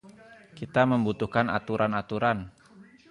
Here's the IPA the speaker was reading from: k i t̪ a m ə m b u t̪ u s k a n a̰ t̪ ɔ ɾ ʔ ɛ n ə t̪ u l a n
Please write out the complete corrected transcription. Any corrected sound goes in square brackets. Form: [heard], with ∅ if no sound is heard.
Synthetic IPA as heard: k i t̪ a m ə m b u t̪ u [h] k a n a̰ t̪ [u] ɾ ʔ [a] n [a] t̪ u [ɾ] a n